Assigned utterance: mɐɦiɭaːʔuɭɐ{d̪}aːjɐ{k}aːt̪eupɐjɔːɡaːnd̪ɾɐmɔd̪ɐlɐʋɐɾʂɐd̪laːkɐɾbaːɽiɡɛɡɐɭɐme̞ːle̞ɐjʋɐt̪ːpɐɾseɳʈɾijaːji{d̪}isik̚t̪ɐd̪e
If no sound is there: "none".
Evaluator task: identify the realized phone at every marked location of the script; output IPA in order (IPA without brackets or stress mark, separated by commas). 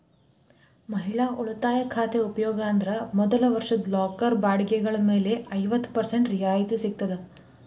t̪, kʰ, t̪